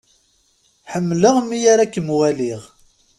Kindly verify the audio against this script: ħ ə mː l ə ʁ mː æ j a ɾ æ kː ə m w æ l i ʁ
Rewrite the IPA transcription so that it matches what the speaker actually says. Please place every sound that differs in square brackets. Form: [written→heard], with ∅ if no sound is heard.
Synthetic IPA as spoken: ħ ə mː l ə ʁ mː [æ→i] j a ɾ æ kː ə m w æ l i ʁ